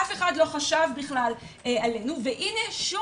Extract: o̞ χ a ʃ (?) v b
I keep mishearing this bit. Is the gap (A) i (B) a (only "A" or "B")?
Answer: B